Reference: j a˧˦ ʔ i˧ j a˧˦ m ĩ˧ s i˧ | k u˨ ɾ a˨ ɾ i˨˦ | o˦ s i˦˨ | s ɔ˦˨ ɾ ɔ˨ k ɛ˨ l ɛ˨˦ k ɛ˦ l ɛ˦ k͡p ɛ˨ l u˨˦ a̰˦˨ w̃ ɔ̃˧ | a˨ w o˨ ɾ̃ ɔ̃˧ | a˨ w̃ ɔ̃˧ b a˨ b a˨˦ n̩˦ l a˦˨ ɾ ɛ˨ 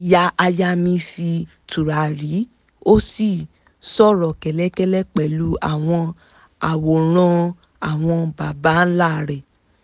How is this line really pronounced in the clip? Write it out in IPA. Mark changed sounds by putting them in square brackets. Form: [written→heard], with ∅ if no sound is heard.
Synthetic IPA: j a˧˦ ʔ [i˧→a˧] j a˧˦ m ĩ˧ s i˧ | [k→t] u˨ ɾ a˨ ɾ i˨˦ | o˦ s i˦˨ | s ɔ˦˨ ɾ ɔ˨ k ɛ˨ l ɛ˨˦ k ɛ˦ l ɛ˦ k͡p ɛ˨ l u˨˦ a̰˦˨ w̃ ɔ̃˧ | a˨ w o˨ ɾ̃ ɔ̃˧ | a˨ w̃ ɔ̃˧ b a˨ b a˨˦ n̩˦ l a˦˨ ɾ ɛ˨